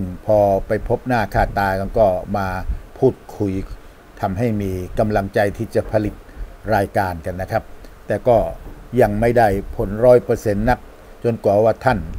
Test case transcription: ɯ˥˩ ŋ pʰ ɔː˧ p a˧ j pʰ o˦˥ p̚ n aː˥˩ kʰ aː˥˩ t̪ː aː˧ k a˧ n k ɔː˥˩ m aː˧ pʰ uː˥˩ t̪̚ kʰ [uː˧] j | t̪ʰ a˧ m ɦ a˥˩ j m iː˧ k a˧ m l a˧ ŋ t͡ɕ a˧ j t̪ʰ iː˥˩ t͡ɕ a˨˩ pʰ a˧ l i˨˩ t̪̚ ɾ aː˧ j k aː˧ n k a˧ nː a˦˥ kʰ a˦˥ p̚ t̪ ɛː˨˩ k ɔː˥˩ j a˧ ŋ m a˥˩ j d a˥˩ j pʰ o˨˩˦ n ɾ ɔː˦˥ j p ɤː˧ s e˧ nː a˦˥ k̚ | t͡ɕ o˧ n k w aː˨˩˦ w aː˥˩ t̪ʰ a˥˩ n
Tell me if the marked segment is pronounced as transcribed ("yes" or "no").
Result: no